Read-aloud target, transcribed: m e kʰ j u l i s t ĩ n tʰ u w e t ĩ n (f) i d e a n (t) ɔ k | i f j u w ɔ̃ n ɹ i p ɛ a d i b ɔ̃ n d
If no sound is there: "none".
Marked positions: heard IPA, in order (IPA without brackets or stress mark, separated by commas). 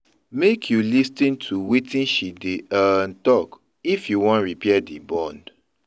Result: ʃ, t